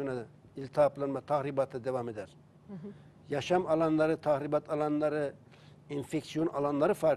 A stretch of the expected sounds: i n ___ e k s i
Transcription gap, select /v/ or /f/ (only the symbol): f